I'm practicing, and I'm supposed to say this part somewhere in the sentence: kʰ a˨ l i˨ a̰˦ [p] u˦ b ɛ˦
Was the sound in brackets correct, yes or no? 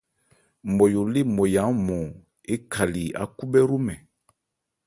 no